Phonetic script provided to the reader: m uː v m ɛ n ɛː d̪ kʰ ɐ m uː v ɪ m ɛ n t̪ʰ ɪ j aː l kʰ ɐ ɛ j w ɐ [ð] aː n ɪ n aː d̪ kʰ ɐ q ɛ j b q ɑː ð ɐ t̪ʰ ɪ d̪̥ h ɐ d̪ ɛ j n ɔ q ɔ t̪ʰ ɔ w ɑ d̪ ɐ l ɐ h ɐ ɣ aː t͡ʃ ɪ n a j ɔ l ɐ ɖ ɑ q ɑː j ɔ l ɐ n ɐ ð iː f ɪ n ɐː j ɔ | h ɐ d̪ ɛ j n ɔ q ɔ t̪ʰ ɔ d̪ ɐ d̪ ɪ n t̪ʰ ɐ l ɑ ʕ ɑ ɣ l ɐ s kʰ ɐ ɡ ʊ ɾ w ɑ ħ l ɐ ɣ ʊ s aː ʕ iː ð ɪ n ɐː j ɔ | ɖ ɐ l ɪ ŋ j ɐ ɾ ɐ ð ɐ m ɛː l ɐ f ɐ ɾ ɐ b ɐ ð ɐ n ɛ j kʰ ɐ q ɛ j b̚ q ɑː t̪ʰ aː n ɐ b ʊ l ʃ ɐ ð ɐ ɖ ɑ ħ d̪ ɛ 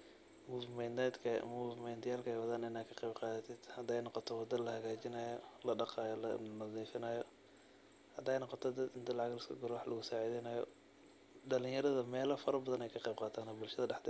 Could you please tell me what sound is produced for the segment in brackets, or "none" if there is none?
ð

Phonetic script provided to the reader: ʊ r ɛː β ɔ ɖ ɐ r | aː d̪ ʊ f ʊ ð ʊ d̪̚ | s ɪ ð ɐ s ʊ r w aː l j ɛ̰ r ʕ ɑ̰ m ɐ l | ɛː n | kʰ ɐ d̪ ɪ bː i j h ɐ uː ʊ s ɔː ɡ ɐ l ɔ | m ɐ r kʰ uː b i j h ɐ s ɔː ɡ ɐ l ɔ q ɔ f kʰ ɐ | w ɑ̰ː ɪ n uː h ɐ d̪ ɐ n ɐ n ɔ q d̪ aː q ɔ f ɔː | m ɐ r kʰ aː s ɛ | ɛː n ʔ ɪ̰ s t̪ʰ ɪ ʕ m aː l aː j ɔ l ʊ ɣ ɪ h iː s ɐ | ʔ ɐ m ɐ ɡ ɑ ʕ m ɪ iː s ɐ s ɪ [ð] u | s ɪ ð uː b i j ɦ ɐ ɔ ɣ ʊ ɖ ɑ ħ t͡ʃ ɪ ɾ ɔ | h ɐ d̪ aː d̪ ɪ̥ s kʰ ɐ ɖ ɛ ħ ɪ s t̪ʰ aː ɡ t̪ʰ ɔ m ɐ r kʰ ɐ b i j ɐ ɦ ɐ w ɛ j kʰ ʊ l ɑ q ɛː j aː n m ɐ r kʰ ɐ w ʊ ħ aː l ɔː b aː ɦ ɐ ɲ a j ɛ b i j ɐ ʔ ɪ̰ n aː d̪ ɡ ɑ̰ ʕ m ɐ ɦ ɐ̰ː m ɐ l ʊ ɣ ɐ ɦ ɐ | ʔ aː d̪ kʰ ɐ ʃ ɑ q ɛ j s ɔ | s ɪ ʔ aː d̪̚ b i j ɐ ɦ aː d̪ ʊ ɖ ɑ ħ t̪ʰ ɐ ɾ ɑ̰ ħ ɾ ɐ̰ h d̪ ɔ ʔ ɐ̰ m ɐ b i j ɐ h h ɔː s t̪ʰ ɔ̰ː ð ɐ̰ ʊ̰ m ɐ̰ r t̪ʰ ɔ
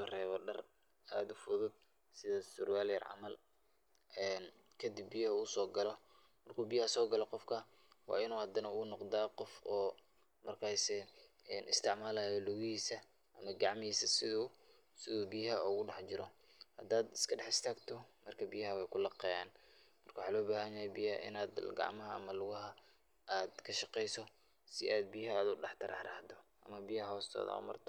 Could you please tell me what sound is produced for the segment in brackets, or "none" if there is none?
ð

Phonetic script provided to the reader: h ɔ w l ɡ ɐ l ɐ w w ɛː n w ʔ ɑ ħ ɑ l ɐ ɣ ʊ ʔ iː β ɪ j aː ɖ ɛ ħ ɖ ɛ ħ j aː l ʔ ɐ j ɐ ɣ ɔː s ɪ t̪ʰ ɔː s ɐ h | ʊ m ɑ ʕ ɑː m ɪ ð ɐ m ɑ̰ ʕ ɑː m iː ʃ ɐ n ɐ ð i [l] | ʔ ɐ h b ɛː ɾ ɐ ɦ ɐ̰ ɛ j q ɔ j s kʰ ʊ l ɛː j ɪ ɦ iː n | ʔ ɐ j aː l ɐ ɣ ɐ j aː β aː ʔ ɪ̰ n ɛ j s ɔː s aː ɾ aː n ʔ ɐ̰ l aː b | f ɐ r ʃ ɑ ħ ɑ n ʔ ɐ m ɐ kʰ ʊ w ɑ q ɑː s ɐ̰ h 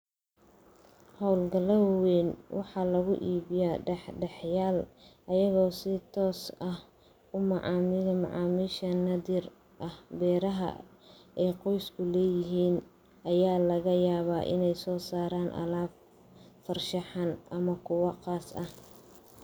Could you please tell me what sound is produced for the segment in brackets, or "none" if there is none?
r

